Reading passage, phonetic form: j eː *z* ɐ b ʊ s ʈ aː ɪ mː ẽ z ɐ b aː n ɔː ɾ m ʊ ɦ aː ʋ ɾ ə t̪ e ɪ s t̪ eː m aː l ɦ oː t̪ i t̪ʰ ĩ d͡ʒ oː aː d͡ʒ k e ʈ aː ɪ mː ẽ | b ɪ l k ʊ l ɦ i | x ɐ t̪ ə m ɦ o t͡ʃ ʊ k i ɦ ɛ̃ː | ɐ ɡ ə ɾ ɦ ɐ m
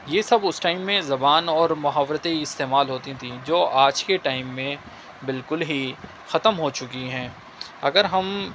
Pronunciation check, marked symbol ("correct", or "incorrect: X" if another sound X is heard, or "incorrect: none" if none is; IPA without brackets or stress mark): incorrect: s